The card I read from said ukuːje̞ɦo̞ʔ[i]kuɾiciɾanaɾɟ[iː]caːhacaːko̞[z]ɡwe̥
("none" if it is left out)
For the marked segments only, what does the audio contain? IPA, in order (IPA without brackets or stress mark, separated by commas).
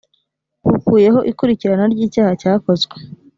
i, iː, z